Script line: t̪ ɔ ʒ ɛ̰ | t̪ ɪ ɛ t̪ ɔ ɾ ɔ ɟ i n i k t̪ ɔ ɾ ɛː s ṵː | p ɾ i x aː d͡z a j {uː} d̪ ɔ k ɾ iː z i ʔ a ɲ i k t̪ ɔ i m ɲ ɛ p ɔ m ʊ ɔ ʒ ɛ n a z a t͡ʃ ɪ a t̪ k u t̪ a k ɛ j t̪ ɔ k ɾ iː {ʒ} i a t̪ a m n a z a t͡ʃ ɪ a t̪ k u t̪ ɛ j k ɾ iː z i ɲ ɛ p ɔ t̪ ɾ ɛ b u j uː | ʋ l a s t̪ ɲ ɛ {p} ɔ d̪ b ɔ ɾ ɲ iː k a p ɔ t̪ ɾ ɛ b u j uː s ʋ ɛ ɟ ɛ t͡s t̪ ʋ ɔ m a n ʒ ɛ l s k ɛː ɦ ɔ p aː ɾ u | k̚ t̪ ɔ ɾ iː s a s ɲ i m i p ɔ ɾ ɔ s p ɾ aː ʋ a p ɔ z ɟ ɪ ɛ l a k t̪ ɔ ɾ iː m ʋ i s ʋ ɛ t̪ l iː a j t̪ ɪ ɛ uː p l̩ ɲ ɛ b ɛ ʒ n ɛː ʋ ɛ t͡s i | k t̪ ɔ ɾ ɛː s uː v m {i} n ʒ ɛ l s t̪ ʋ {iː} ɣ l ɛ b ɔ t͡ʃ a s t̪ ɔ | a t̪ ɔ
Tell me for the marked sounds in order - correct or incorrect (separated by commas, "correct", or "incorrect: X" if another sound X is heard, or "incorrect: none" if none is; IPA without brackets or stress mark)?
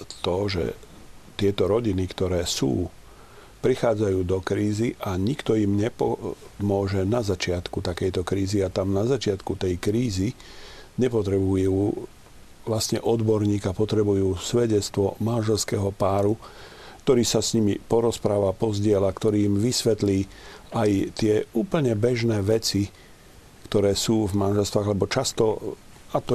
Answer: correct, incorrect: z, incorrect: ʔ, incorrect: a, incorrect: aː